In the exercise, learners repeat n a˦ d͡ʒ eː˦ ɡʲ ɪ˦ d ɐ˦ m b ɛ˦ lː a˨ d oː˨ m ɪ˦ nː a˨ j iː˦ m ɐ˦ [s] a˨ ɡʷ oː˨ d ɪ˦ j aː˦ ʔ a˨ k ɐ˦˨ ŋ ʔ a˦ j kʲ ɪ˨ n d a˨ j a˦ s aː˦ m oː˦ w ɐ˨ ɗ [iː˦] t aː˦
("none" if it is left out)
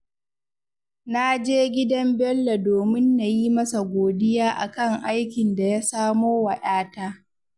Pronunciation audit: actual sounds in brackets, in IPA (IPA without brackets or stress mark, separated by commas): s, aː˦